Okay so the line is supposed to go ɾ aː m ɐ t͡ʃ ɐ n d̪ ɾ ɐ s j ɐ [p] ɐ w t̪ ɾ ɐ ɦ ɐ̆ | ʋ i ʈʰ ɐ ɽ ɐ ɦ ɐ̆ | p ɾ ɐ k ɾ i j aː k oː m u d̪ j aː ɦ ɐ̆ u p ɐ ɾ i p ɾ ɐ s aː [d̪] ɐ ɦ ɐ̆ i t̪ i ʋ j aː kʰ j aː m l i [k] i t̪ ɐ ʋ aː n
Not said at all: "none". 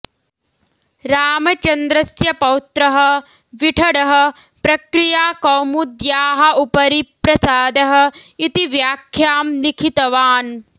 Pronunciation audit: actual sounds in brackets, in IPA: p, d̪, kʰ

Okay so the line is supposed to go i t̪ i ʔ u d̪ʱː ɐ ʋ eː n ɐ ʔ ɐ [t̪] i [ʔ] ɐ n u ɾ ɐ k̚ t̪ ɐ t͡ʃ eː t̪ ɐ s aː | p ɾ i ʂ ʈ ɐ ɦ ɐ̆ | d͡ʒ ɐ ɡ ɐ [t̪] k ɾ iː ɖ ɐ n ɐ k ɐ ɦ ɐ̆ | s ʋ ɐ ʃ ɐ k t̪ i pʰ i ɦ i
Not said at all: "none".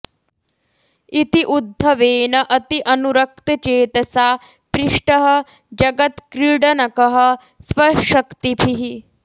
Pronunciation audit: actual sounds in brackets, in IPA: t̪, ʔ, t̪

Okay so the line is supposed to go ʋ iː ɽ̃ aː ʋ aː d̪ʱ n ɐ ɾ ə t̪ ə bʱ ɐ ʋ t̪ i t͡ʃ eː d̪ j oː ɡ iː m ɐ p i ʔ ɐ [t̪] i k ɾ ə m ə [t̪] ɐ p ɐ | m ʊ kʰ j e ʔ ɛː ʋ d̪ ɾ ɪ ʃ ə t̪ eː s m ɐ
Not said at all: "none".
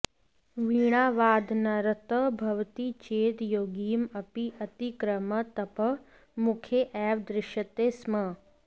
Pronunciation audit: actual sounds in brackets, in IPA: t̪, t̪

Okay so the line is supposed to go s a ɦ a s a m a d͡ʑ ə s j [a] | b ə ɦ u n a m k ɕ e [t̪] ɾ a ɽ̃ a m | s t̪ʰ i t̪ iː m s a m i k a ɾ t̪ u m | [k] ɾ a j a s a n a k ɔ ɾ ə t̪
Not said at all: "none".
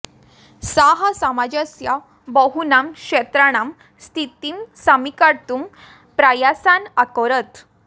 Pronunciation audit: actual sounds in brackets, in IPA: a, t̪, p

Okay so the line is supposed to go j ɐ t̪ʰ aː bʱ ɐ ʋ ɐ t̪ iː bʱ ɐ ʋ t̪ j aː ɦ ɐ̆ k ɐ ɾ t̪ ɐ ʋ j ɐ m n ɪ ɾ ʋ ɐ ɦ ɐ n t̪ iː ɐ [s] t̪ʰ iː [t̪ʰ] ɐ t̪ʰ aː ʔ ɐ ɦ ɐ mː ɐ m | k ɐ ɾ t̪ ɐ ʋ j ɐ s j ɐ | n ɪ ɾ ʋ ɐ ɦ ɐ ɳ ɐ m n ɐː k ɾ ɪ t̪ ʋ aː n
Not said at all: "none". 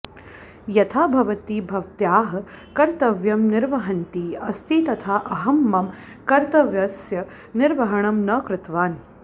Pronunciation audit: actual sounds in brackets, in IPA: s, t̪

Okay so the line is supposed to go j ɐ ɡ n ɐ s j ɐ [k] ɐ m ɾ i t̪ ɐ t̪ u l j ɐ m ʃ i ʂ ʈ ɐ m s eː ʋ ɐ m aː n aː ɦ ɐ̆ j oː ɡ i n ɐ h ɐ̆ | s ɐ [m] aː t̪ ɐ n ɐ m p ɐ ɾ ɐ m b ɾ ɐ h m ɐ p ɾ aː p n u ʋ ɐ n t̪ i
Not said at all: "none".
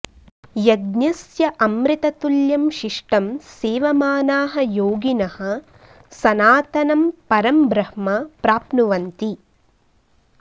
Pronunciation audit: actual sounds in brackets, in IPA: ʔ, n

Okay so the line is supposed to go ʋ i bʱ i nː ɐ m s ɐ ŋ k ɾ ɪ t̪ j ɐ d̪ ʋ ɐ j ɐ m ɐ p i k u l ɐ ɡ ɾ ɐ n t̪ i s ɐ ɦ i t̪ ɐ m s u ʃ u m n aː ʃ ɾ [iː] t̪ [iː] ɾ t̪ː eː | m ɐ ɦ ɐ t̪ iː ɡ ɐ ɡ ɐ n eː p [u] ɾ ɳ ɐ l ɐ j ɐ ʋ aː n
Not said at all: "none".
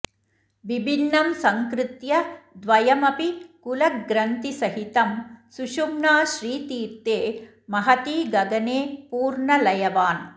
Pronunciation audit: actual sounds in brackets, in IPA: iː, iː, uː

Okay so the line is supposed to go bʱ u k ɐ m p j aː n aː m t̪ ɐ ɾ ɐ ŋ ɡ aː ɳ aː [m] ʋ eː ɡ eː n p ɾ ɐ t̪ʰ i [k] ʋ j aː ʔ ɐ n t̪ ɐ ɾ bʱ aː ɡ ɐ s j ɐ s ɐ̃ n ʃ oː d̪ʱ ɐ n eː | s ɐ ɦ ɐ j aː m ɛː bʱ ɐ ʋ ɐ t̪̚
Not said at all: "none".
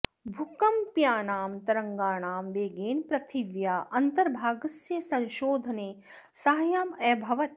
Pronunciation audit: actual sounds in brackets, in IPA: m, none

